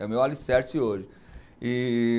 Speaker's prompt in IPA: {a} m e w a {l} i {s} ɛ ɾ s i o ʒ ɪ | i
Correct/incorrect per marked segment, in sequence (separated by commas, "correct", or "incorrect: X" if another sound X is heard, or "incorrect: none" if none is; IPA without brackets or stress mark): incorrect: ɛ, correct, correct